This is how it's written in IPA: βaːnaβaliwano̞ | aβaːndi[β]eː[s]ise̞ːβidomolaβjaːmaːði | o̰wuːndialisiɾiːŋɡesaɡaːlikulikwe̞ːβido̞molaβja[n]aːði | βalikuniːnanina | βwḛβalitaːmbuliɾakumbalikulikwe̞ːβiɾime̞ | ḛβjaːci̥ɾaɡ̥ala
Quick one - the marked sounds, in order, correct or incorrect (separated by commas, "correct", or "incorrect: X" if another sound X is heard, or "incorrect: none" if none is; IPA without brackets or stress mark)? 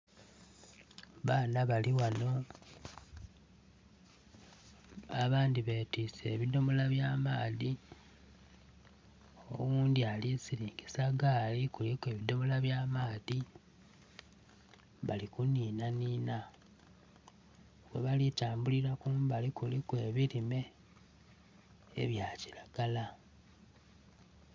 correct, incorrect: t, incorrect: m